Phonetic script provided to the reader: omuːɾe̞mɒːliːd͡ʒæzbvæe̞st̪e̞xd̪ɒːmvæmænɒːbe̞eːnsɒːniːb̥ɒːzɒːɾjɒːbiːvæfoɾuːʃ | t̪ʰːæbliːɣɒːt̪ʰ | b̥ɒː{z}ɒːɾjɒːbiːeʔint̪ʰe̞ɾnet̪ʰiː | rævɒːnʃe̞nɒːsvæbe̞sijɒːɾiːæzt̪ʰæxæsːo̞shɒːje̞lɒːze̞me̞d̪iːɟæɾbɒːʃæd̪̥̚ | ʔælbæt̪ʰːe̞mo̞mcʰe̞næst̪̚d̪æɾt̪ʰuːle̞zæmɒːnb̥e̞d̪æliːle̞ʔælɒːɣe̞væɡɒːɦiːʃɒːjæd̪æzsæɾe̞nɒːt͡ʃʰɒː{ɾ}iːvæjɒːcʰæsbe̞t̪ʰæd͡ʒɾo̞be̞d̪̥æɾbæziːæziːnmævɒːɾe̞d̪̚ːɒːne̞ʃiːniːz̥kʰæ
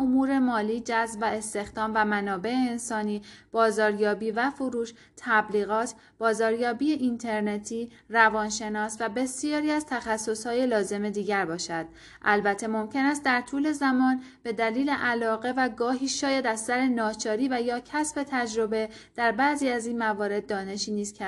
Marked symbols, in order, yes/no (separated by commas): yes, yes